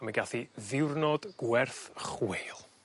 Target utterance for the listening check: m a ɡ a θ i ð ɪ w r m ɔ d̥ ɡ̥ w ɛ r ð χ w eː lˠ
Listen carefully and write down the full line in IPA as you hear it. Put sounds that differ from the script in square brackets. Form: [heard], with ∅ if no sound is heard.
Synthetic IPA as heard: m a ɡ a θ i ð ɪ w r [n] ɔ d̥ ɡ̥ w ɛ r [θ] χ w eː lˠ